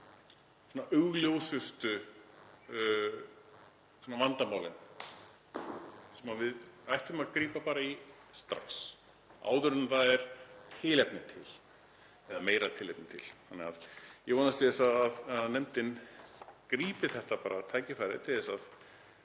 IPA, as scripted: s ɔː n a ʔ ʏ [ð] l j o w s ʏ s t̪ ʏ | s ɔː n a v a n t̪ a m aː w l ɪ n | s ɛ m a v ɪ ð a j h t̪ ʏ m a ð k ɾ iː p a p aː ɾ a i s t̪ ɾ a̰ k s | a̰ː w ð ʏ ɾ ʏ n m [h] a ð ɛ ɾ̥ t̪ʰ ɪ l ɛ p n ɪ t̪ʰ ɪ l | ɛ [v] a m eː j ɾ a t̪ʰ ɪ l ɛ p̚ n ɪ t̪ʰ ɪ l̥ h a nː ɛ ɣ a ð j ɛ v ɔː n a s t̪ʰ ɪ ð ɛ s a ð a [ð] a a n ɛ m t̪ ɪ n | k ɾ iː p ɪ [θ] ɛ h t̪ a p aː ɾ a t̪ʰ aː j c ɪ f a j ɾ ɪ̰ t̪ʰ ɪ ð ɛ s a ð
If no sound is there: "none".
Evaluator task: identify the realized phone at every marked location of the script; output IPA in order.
ɣ, θ, ð, ð, θ

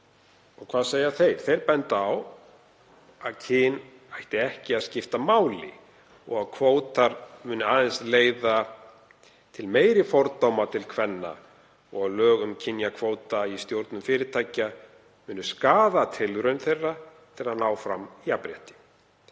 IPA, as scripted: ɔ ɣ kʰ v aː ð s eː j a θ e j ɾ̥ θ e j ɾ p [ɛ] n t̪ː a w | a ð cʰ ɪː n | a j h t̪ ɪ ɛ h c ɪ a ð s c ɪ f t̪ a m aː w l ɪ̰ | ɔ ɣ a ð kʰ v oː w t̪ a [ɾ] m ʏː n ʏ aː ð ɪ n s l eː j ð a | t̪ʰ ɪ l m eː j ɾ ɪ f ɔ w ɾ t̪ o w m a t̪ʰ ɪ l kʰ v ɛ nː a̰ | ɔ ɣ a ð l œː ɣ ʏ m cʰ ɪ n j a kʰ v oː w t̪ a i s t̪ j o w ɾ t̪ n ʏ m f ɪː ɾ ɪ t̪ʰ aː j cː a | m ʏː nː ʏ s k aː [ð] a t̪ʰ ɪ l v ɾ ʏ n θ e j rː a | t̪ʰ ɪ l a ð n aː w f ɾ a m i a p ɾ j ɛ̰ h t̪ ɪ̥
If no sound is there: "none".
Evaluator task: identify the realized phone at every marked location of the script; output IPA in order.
ɛ, ɾ, ð

